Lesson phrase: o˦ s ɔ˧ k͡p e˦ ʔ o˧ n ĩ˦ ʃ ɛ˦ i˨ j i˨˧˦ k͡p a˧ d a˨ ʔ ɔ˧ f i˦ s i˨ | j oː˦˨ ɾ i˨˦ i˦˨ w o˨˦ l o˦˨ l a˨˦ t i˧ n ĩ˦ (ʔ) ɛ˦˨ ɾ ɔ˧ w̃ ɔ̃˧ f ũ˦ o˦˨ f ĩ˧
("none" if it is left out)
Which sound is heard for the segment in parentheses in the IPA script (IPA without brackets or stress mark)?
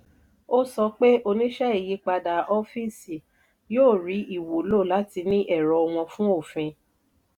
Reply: ʔ